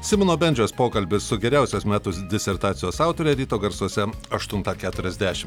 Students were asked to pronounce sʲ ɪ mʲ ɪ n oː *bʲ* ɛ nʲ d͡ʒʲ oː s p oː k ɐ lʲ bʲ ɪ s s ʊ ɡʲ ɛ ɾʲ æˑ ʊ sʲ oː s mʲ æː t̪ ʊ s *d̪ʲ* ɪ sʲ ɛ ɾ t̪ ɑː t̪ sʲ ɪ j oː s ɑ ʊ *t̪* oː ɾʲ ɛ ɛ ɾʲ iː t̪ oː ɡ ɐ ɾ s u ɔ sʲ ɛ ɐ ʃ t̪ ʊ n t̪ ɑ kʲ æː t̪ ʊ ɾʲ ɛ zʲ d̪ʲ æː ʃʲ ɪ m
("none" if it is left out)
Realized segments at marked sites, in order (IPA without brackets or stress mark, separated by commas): bʲ, d̪ʲ, t̪